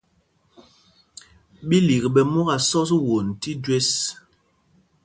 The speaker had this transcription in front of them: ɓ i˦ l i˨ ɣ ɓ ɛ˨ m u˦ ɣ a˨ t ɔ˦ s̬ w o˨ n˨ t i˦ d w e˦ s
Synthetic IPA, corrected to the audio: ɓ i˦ l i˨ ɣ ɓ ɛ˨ m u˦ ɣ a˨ s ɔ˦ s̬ w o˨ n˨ t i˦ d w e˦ s